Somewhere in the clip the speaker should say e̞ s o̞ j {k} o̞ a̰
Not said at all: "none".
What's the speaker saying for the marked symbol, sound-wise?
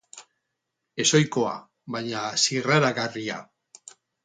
k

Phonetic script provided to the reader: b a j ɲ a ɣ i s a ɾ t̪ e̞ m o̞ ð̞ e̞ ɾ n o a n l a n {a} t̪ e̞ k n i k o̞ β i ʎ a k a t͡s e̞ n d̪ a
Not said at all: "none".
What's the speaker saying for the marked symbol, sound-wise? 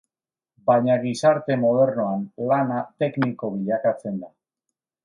a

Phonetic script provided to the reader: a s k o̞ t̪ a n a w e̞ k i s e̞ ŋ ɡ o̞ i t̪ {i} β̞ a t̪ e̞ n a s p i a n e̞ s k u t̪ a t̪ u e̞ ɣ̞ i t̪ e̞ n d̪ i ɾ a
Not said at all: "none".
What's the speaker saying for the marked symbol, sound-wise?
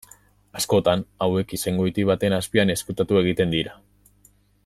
i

